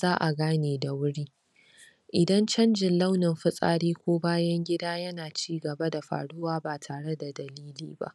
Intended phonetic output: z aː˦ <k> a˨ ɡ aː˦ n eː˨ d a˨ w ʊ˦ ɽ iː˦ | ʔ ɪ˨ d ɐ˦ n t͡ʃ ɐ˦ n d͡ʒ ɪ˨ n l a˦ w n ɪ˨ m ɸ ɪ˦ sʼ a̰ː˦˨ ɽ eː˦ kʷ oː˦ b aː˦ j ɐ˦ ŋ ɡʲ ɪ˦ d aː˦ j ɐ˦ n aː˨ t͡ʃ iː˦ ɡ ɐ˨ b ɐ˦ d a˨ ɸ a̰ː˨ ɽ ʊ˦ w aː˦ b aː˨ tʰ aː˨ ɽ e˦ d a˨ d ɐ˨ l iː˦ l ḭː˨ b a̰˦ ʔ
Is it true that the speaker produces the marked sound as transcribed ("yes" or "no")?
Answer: no